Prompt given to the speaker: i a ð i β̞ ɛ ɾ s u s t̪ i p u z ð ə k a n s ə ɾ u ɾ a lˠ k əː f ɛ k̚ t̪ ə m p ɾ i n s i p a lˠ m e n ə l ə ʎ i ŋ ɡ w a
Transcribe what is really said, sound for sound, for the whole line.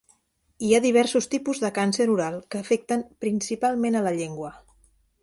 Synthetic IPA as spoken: i a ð i β̞ ɛ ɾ s u s t̪ i p u z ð ə k a n s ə ɾ u ɾ a lˠ k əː f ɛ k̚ t̪ ə m p ɾ i n s i p a lˠ m e n ə l ə ʎ e ŋ ɡ w ə